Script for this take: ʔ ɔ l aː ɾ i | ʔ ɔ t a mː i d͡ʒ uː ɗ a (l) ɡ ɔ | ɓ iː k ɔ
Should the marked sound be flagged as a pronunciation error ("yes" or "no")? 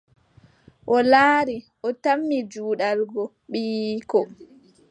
no